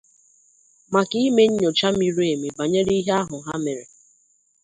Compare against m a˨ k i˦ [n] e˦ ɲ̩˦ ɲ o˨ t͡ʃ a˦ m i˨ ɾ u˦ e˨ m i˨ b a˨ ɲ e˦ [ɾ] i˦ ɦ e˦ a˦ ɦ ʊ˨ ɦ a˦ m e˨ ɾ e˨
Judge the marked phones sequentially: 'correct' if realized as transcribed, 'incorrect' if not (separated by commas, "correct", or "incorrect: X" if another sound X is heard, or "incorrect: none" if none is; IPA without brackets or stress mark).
incorrect: m, correct